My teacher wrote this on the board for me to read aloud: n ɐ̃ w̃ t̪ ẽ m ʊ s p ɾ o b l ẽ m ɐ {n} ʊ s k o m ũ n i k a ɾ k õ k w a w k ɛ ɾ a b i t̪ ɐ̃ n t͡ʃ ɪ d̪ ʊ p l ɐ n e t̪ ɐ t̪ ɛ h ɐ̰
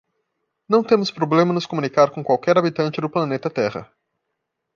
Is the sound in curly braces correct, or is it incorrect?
correct